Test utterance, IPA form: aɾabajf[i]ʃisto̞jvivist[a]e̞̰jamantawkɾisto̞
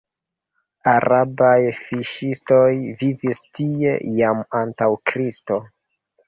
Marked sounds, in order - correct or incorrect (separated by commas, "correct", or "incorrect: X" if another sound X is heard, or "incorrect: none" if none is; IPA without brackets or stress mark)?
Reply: correct, incorrect: i